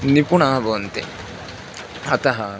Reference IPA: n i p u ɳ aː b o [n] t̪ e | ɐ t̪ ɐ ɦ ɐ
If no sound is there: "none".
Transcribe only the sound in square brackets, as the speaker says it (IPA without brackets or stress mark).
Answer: n